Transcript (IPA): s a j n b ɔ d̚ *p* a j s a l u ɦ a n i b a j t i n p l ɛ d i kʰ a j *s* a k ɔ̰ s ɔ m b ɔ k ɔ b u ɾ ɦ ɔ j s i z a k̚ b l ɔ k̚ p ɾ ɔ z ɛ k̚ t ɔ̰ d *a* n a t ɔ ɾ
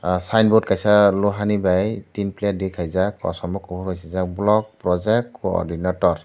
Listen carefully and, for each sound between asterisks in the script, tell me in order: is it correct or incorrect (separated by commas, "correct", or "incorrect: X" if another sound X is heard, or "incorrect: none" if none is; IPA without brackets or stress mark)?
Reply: incorrect: k, incorrect: z, incorrect: i